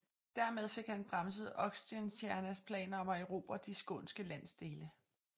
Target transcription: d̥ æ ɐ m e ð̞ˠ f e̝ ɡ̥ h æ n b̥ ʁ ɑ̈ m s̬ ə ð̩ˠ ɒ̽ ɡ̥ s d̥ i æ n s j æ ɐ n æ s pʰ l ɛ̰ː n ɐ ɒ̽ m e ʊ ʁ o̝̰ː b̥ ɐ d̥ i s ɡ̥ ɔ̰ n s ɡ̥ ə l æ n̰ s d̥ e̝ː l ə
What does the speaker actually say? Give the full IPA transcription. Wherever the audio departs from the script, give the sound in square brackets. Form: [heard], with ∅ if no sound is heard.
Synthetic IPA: d̥ æ ɐ m e ð̞ˠ f e̝ ɡ̥ h æ n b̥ ʁ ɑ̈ m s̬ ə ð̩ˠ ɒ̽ ɡ̥ s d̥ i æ n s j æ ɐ n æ s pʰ l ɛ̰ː n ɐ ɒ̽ m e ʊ ʁ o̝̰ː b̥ ɐ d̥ i s ɡ̥ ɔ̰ n s ɡ̥ ə l æ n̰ s d̥ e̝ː l ə